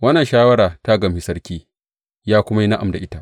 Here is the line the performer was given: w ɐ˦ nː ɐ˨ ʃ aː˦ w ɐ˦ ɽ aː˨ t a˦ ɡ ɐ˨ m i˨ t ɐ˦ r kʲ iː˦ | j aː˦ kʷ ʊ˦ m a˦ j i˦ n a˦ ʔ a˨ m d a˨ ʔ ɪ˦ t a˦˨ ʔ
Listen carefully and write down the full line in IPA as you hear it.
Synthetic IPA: w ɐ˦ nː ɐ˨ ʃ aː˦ w ɐ˦ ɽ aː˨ t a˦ ɡ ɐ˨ m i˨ s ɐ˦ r kʲ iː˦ | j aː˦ kʷ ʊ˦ m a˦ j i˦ n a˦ ʔ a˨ m d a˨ ʔ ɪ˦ t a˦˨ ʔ